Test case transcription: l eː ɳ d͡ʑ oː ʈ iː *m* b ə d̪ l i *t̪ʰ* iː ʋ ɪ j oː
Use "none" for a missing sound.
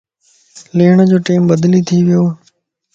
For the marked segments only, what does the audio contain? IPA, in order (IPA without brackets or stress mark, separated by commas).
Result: m, t̪ʰ